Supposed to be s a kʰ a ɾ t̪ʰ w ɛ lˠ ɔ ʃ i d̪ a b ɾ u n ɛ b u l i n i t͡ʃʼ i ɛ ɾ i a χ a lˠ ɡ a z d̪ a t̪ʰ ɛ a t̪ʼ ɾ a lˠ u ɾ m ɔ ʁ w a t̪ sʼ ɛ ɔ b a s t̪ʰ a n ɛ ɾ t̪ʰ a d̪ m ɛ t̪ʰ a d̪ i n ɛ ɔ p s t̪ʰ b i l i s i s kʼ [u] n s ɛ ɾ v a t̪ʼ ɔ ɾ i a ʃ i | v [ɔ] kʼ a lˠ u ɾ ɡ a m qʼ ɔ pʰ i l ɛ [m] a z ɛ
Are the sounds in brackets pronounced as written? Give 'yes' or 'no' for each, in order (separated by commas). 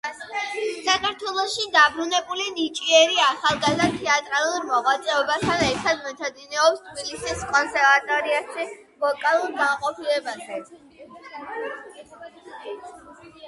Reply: no, yes, no